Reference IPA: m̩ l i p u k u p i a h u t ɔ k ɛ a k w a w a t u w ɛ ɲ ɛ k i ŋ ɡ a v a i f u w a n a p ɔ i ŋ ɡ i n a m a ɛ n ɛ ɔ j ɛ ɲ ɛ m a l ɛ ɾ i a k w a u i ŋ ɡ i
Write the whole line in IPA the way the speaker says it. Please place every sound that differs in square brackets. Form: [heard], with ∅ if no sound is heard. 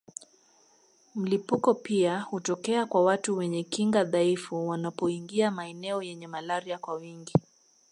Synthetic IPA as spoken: m̩ l i p u k [ɔ] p i a h u t ɔ k ɛ a k w a w a t u w ɛ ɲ ɛ k i ŋ ɡ a [ð] a i f u w a n a p ɔ i ŋ ɡ i [∅] a m a ɛ n ɛ ɔ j ɛ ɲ ɛ m a l [a] ɾ i a k w a [w] i ŋ ɡ i